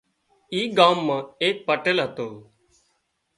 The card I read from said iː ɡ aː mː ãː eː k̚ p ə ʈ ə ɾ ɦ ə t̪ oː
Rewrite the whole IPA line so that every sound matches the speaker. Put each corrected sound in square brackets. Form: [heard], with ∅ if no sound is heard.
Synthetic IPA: iː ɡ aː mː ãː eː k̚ p ə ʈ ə [l] ɦ ə t̪ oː